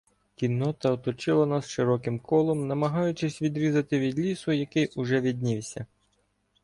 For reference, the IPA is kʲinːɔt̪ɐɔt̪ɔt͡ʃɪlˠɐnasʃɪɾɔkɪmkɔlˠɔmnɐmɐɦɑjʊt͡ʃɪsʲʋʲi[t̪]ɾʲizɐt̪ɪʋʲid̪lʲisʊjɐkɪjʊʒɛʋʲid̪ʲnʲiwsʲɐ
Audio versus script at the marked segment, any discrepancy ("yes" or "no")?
yes